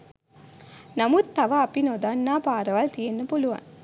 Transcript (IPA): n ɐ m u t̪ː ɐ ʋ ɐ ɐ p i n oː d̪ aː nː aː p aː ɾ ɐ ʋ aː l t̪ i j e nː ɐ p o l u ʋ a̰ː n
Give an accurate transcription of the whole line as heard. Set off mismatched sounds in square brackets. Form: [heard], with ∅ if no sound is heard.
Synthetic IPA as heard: n ɐ m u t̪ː ɐ ʋ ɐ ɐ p i n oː d̪ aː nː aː p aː ɾ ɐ ʋ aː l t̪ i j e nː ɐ p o l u ʋ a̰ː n